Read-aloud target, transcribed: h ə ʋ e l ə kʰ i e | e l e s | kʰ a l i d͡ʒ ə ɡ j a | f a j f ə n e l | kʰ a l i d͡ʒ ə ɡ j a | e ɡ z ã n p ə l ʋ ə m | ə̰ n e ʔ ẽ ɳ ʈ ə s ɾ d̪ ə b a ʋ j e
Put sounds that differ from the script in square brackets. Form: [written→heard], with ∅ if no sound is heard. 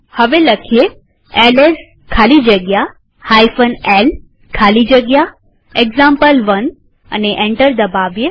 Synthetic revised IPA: h ə ʋ e l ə kʰ i e | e l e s | kʰ a l i d͡ʒ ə ɡ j a | [f→h] a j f ə n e l | kʰ a l i d͡ʒ ə ɡ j a | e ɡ z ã [n→m] p ə l ʋ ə [m→n] | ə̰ n e ʔ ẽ ɳ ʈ ə [s→∅] ɾ d̪ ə b a ʋ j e